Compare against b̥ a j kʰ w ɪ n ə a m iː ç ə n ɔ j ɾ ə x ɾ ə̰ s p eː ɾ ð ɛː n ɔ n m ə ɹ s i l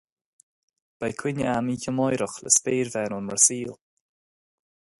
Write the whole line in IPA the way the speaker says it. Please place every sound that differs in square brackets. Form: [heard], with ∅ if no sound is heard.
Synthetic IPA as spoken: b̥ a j kʰ w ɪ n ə a m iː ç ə [m] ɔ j ɾ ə x [l] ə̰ s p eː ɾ [v] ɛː n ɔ n m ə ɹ s [iː] l